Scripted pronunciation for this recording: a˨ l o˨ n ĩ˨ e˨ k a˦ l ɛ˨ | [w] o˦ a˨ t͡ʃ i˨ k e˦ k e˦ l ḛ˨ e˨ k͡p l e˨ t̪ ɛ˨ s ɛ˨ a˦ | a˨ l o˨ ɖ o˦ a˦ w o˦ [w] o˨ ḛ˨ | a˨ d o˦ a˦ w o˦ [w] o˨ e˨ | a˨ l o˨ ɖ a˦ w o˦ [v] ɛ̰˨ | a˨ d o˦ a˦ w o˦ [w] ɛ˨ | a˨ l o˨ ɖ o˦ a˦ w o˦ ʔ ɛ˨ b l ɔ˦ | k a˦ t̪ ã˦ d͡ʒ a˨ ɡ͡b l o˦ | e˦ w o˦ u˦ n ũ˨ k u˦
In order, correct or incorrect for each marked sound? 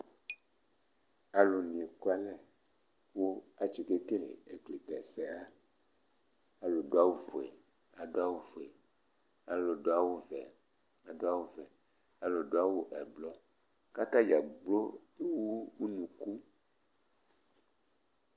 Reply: correct, incorrect: v, incorrect: v, correct, incorrect: v

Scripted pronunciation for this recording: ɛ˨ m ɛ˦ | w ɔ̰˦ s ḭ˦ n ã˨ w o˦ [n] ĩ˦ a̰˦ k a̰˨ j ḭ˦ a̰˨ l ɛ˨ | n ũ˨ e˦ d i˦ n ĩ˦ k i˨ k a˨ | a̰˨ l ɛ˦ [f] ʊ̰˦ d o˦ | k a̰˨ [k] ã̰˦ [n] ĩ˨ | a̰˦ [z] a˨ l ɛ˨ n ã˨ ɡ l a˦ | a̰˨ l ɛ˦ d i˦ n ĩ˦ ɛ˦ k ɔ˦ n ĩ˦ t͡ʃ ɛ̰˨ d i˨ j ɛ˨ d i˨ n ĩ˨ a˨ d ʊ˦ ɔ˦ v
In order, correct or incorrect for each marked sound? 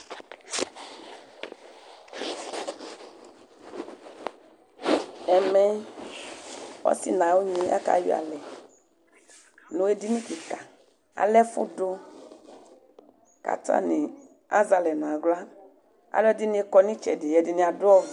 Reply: incorrect: ɲ, correct, incorrect: t, correct, correct

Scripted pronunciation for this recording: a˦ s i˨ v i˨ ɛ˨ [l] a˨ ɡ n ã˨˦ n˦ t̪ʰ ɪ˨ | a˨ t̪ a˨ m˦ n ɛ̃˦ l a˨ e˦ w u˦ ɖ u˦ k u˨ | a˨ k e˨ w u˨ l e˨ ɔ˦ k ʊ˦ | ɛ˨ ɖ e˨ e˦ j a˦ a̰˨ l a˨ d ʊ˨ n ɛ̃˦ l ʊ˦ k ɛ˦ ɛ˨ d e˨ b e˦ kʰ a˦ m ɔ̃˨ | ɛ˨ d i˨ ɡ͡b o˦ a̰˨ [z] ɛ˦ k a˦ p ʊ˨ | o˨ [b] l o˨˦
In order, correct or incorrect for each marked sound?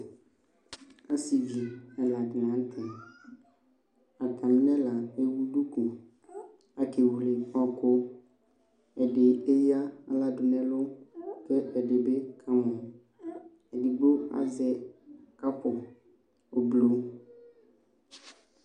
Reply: correct, correct, correct

